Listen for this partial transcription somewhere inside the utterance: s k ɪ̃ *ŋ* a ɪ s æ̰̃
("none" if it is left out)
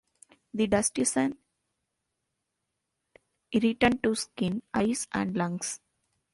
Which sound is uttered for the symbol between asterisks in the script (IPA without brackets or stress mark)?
n